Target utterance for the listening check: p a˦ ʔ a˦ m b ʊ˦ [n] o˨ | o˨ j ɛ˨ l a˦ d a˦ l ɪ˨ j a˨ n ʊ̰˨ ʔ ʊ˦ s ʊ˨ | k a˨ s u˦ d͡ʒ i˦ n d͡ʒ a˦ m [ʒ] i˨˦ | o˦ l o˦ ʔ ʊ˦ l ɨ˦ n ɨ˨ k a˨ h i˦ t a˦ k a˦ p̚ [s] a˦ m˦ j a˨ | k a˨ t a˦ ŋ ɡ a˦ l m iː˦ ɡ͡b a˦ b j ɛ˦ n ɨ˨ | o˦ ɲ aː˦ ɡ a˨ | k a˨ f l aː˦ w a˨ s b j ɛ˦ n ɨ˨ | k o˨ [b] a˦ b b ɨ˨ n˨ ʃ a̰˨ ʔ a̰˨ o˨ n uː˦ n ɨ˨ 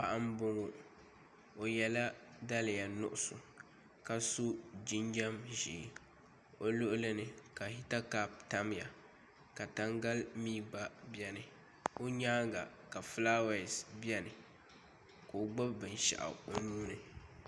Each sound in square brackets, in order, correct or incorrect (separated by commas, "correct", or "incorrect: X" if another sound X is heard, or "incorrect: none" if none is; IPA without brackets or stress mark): incorrect: ŋ, correct, incorrect: t, incorrect: ɡ͡b